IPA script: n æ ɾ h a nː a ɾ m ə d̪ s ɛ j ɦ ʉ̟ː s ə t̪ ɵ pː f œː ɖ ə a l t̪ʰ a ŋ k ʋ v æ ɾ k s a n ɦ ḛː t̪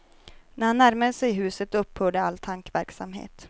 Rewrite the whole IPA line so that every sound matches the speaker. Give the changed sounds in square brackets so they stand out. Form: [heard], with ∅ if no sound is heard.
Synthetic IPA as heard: n æ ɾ h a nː [æ] ɾ m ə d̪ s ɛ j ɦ ʉ̟ː s ə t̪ ɵ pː [h] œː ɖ ə a l t̪ʰ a ŋ k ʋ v æ ɾ k s a [m] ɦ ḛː t̪